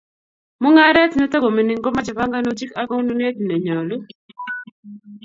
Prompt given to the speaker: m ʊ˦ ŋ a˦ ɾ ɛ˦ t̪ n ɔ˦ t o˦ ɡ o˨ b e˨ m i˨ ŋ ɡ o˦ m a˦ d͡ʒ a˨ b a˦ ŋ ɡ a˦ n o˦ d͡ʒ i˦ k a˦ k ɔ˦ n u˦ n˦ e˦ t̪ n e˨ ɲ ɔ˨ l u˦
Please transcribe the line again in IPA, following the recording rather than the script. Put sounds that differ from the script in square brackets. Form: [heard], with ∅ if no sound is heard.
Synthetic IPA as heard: m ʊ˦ ŋ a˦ ɾ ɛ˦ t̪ n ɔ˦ t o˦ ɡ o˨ [m] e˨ [n] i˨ ŋ ɡ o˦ m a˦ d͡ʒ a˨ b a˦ ŋ ɡ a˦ n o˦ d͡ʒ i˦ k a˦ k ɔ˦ n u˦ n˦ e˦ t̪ n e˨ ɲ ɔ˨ l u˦

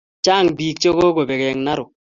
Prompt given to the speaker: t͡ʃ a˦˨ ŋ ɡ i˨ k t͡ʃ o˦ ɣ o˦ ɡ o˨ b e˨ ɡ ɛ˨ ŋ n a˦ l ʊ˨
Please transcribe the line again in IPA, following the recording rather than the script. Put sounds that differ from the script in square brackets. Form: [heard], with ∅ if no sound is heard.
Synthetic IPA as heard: t͡ʃ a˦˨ ŋ [b] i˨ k t͡ʃ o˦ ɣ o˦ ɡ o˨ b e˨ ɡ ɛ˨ ŋ n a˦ [ɾ] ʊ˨

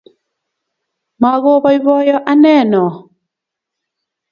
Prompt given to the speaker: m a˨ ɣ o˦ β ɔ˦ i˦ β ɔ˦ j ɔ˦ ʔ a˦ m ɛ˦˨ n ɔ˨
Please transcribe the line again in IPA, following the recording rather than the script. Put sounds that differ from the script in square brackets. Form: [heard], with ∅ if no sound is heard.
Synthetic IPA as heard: m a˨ ɣ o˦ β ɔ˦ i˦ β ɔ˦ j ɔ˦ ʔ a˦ [n] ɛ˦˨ n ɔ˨

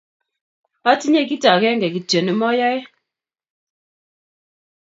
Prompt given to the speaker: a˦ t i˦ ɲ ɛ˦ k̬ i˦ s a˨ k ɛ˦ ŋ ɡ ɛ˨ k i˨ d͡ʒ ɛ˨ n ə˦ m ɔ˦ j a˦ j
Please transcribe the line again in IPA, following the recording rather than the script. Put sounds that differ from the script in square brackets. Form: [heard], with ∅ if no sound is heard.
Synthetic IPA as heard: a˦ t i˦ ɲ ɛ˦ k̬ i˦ [t] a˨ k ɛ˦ ŋ ɡ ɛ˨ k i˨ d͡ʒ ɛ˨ n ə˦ m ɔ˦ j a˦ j

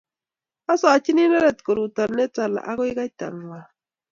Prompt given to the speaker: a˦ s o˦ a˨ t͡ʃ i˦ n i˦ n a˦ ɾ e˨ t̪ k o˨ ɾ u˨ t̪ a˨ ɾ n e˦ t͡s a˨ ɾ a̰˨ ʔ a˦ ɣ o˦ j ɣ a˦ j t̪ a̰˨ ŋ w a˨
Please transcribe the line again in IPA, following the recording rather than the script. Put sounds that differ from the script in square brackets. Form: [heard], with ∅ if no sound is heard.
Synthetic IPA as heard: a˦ s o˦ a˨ t͡ʃ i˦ n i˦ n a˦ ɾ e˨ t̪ k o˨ ɾ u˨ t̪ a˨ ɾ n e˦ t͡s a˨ [l] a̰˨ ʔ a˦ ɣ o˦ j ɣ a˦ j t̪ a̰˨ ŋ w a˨

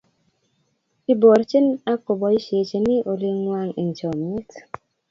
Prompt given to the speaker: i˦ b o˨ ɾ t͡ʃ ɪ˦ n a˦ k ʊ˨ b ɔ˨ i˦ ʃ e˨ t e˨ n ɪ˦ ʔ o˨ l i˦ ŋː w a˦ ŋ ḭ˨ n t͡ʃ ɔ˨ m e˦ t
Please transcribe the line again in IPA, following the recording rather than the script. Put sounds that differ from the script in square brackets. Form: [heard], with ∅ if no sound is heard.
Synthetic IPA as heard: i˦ b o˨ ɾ t͡ʃ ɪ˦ n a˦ k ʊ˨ b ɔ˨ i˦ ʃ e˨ [t͡ʃ] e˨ n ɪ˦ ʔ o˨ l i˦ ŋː w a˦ ŋ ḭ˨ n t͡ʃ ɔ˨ m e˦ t

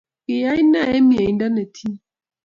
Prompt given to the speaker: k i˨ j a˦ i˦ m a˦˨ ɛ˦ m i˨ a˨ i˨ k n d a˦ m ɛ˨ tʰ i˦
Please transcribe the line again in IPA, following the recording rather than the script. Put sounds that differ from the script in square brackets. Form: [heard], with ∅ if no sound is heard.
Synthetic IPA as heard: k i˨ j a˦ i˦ [n] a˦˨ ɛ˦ m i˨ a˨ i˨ [∅] n d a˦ [n] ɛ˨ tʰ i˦

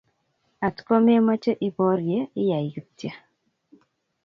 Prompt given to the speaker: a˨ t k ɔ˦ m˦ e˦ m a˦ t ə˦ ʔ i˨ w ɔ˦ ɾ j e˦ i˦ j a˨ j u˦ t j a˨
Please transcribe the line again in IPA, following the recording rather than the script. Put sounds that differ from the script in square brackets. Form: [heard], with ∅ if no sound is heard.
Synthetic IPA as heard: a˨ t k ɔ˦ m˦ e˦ m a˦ [t͡ʃ] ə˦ ʔ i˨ [b] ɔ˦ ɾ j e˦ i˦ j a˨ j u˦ t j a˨

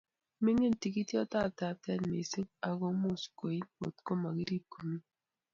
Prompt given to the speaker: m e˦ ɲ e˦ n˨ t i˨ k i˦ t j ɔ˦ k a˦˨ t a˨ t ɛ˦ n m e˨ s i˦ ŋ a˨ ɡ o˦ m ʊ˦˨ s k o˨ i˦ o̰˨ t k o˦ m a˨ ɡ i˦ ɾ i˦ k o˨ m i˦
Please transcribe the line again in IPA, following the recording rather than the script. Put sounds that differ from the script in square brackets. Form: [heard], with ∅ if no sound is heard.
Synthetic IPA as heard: m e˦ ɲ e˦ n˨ t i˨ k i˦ t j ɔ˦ [t] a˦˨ t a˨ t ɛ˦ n m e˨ s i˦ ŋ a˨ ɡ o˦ m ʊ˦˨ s k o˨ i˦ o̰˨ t k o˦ m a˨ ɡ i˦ ɾ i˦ k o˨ m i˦

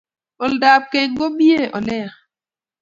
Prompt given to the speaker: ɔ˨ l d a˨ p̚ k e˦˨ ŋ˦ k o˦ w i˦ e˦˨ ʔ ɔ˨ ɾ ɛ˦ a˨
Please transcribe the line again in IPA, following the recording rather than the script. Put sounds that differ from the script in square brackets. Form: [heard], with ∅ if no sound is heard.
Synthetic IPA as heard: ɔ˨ l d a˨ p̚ k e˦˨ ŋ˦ [ɡ] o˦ [b] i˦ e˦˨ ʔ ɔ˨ [l] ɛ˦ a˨

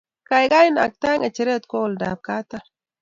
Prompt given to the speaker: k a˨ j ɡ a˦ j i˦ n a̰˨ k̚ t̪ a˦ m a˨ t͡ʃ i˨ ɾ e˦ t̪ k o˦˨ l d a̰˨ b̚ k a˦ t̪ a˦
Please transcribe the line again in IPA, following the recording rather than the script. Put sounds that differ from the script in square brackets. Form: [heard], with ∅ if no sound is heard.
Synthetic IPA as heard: k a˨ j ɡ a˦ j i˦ n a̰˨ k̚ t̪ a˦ [ŋ] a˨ t͡ʃ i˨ ɾ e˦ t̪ k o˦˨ l d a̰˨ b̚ k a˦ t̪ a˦

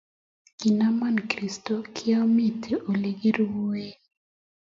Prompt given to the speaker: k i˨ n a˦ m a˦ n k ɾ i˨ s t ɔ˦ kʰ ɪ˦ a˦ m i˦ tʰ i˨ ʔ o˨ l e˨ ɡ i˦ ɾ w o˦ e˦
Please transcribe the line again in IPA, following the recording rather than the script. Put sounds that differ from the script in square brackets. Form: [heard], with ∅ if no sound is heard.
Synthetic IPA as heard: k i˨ n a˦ m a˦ n k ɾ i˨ s t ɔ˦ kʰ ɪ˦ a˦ m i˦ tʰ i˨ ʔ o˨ l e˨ ɡ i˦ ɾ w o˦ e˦

